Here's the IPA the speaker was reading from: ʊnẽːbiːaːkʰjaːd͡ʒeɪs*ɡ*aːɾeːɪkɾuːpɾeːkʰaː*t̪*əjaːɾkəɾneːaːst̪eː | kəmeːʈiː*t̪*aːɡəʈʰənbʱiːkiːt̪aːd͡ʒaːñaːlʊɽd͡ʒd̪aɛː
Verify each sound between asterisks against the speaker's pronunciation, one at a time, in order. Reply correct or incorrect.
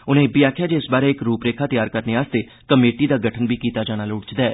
incorrect, correct, incorrect

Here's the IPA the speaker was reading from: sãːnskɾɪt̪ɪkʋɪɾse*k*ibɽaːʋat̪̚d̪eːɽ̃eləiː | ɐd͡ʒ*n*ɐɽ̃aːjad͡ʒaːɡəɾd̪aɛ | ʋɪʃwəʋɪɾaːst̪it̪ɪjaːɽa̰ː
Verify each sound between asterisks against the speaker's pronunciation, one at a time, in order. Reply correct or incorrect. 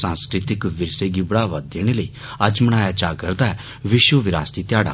incorrect, incorrect

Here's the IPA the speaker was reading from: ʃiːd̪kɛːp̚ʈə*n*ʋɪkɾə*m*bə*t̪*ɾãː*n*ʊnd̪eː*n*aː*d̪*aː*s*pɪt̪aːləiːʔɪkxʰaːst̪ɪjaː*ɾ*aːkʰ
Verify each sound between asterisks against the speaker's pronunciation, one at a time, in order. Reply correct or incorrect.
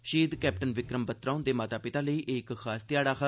correct, correct, correct, incorrect, incorrect, incorrect, incorrect, incorrect

